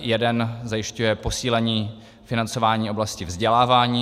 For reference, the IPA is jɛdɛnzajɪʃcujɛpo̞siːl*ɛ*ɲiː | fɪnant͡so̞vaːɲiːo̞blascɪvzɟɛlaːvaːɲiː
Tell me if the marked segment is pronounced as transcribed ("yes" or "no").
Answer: yes